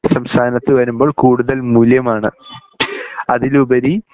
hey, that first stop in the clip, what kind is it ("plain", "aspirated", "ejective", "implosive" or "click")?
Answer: aspirated